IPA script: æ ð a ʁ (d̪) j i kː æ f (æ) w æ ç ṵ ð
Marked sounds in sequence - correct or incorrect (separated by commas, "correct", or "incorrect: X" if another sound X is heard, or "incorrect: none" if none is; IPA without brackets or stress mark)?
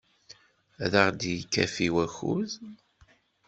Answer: correct, incorrect: i